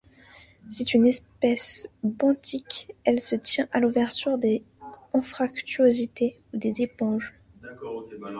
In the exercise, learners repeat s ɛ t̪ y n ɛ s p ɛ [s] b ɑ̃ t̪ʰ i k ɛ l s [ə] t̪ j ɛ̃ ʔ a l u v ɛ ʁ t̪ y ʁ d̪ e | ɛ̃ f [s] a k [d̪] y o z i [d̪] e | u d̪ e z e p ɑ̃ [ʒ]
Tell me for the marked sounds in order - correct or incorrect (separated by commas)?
correct, correct, incorrect, incorrect, incorrect, correct